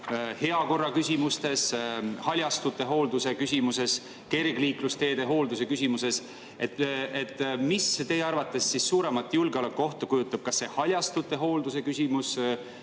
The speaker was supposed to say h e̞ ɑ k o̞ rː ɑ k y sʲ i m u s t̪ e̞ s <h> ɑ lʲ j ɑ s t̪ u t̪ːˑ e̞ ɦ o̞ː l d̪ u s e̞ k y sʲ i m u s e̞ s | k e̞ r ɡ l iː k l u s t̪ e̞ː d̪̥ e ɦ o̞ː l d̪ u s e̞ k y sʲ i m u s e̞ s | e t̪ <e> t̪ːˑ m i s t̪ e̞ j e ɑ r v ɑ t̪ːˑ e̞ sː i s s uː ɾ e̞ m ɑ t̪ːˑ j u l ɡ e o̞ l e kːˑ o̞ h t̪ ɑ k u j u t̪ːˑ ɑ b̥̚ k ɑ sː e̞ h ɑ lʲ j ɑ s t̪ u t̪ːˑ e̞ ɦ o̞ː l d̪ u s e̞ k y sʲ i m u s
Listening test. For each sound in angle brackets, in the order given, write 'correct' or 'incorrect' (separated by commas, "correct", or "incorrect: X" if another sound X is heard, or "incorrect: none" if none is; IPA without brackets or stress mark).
correct, correct